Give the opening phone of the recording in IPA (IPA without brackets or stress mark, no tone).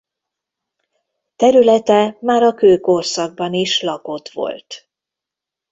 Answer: t̪